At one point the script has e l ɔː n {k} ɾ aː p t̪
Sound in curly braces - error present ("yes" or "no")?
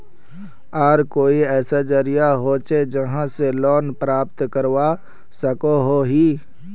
yes